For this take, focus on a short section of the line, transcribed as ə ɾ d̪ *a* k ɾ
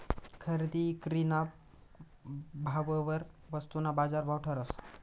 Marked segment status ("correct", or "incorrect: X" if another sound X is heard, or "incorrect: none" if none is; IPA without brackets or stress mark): incorrect: i